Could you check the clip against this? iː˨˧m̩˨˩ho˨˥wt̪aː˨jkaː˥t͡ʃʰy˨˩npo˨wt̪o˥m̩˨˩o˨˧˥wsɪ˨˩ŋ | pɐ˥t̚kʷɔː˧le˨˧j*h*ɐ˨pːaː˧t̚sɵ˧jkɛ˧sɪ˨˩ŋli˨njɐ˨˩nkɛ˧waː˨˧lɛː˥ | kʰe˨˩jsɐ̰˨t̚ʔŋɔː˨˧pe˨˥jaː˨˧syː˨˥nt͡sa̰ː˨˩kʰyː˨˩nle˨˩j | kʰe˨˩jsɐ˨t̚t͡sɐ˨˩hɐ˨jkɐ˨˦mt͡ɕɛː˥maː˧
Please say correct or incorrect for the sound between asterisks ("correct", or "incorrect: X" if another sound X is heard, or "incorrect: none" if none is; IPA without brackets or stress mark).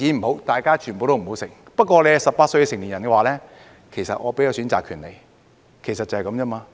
incorrect: s